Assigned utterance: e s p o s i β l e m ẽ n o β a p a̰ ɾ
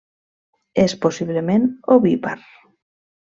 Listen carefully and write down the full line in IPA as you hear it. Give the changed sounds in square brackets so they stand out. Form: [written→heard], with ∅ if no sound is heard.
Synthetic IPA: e s p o s i β l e m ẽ n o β [a→i] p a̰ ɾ